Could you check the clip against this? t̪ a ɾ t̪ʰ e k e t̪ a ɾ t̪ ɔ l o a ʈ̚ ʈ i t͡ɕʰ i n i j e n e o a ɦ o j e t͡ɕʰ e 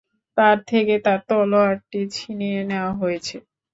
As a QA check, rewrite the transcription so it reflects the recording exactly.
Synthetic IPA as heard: t̪ a ɾ t̪ʰ e k e t̪ a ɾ t̪ ɔ l o a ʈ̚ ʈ i t͡ɕʰ i n i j e n e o a ɦ o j e t͡ɕʰ e